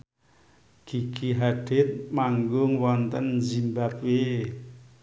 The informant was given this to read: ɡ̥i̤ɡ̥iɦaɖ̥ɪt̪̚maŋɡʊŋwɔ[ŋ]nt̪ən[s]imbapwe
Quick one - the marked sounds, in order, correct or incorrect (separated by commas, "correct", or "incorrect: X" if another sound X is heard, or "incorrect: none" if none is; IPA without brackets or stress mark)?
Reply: incorrect: none, incorrect: z